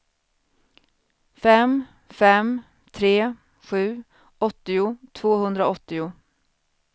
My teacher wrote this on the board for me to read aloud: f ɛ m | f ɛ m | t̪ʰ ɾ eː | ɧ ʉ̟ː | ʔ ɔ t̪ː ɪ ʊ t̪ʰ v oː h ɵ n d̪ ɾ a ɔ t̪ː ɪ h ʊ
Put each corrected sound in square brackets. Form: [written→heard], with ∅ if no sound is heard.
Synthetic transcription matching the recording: f ɛ m | f ɛ m | t̪ʰ ɾ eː | ɧ ʉ̟ː | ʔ ɔ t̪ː ɪ ʊ t̪ʰ v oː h ɵ n d̪ ɾ a ɔ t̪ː ɪ [h→∅] ʊ

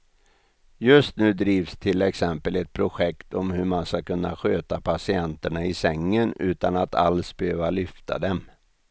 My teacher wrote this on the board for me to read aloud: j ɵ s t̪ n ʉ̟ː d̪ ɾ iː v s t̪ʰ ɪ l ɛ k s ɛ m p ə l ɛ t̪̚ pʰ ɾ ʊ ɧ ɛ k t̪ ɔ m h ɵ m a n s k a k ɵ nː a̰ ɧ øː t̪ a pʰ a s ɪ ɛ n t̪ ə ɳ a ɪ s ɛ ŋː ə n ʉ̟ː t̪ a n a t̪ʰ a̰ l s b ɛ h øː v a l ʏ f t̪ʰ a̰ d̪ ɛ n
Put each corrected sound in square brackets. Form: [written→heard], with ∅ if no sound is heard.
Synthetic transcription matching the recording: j ɵ s t̪ n ʉ̟ː d̪ ɾ iː v s t̪ʰ ɪ l ɛ k s ɛ m p ə l ɛ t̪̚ pʰ ɾ ʊ ɧ ɛ k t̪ ɔ m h ɵ m a n s k a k ɵ nː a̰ ɧ øː t̪ a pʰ a s ɪ ɛ n t̪ ə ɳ a ɪ s ɛ ŋː ə n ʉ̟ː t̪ a n a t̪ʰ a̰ l s b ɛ h øː v a l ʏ f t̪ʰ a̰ d̪ ɛ [n→m]

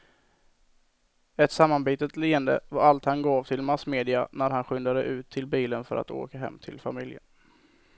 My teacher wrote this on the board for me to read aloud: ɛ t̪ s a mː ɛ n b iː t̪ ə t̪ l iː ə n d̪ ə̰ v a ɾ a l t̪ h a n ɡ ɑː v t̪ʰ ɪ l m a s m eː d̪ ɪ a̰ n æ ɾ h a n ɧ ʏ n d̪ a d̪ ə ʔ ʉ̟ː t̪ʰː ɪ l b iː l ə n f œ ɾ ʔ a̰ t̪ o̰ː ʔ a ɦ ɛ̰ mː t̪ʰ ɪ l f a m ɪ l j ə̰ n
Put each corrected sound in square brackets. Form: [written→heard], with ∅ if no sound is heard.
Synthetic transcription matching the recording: ɛ t̪ s a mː [ɛ→a] n b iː t̪ ə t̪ l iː ə n d̪ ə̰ v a ɾ a l t̪ h a n ɡ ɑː v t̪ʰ ɪ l m a s m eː d̪ ɪ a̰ n æ ɾ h a n ɧ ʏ n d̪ a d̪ ə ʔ ʉ̟ː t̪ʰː ɪ l b iː l ə n f œ ɾ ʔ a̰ t̪ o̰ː [ʔ→k] a ɦ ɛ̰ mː t̪ʰ ɪ l f a m ɪ l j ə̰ n

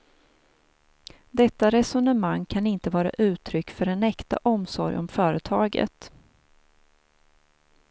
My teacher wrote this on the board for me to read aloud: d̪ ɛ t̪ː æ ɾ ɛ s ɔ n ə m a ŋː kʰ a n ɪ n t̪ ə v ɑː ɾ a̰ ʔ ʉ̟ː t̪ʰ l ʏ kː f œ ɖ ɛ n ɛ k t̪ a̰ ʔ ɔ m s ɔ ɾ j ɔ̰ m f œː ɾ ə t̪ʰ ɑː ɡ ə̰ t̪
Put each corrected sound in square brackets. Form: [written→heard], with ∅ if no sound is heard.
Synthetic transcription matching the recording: d̪ ɛ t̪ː [æ→a] ɾ ɛ s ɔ n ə m a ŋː kʰ a n ɪ n t̪ ə v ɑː ɾ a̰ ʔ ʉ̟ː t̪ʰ [l→ɾ] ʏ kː f œ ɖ ɛ n ɛ k t̪ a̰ ʔ ɔ m s ɔ ɾ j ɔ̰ m f œː ɾ ə t̪ʰ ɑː ɡ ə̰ t̪

